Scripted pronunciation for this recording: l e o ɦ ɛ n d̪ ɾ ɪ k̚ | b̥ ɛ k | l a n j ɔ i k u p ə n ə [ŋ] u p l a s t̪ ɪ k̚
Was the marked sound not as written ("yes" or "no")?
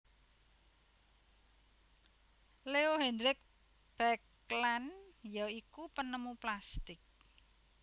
yes